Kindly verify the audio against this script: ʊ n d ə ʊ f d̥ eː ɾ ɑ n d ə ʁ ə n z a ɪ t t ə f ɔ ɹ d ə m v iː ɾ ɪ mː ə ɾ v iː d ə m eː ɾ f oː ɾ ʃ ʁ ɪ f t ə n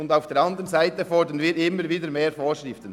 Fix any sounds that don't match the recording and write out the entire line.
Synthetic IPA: ʊ n d a ʊ f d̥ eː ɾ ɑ n d ə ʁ ə n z a ɪ t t ə f ɔ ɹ d ə n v iː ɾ ɪ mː ə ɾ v iː d ə m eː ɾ f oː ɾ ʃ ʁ ɪ f t ə n